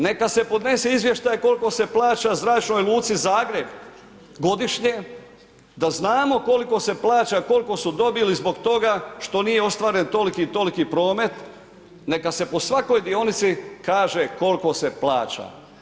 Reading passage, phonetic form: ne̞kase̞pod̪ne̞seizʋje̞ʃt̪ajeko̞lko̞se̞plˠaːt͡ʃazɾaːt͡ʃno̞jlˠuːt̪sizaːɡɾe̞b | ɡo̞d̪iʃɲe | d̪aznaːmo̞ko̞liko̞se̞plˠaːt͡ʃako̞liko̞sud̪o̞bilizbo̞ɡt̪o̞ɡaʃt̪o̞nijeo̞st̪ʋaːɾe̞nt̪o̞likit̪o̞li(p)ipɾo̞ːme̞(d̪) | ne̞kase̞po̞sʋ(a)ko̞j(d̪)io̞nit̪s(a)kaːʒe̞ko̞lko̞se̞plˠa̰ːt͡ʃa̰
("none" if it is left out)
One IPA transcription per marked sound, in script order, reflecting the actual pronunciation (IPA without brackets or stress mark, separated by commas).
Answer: k, t̪, a, d̪, i